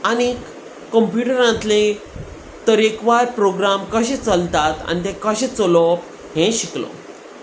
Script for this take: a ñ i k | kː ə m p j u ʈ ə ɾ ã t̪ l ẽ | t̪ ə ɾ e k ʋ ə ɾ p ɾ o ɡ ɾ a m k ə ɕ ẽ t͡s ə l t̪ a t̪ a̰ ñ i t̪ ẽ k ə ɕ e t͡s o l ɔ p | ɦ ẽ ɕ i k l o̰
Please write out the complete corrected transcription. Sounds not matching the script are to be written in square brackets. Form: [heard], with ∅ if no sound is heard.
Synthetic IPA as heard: a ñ i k | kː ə m p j u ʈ ə ɾ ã t̪ l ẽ | t̪ ə ɾ e k ʋ [a] ɾ p ɾ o ɡ ɾ a m k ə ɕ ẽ t͡s ə l t̪ a t̪ a̰ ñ i t̪ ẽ k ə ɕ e t͡s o l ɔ p | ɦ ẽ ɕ i k l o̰